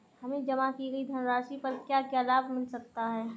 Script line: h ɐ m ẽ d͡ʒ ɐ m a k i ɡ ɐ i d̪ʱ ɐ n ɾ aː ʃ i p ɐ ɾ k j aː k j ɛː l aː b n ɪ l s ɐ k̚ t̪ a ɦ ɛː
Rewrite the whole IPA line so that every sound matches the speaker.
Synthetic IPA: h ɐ m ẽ d͡ʒ ɐ m a k i ɡ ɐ i d̪ʱ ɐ n ɾ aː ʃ i p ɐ ɾ k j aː k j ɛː l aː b m ɪ l s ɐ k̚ t̪ a ɦ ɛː